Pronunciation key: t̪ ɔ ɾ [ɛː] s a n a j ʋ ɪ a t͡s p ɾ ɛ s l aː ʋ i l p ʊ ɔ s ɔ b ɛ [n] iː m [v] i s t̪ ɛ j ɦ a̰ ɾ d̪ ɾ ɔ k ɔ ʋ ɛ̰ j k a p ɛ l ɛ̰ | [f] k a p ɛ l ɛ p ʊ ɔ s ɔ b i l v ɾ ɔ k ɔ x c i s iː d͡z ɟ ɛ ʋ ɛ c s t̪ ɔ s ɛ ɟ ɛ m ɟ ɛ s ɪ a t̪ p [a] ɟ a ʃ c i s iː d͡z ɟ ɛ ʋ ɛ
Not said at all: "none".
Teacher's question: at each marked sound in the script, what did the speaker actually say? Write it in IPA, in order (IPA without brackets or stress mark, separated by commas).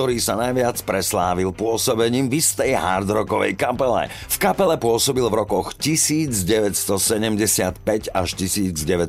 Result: iː, ɲ, v, f, ɛ